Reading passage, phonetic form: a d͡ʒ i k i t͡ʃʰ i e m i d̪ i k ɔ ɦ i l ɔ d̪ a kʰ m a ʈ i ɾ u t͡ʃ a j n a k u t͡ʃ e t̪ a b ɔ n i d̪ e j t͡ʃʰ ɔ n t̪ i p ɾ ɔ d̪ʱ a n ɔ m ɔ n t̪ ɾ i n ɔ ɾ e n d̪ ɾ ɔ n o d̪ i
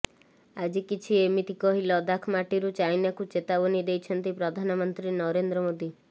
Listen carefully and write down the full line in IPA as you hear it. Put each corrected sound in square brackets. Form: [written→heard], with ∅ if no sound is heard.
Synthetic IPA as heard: a d͡ʒ i k i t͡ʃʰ i e m i [d̪→t̪] i k ɔ ɦ i l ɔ d̪ a kʰ m a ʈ i ɾ u t͡ʃ a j n a k u t͡ʃ e t̪ a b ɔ n i d̪ e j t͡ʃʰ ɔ n t̪ i p ɾ ɔ d̪ʱ a n ɔ m ɔ n t̪ ɾ i n ɔ ɾ e n d̪ ɾ ɔ [n→m] o d̪ i

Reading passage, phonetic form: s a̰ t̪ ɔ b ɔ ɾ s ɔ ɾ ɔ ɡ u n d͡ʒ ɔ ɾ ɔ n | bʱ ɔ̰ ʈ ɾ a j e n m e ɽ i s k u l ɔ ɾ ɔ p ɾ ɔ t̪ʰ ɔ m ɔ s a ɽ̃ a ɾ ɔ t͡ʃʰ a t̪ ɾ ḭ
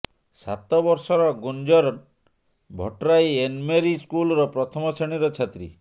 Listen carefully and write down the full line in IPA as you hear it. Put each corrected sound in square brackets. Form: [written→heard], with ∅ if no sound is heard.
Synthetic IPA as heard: s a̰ t̪ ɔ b ɔ ɾ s ɔ ɾ ɔ ɡ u n d͡ʒ ɔ ɾ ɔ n | bʱ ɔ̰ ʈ ɾ a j e n m e [ɽ→ɾ] i s k u l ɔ ɾ ɔ p ɾ ɔ t̪ʰ ɔ m ɔ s [a→e] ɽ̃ [a→i] ɾ ɔ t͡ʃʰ a t̪ ɾ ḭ

